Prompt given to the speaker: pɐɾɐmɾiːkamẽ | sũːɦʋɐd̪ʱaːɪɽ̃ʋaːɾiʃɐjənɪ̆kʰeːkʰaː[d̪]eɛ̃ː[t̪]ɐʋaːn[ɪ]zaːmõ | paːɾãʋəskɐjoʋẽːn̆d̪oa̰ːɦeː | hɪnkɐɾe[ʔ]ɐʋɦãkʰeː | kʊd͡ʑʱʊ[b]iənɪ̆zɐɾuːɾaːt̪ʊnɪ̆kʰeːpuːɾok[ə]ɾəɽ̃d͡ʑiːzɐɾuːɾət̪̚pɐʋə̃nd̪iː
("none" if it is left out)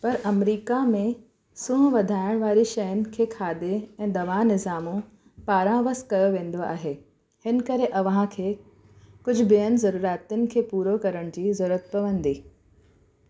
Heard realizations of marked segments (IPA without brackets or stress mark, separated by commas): d̪, d̪, ɪ, ʔ, b, ɐ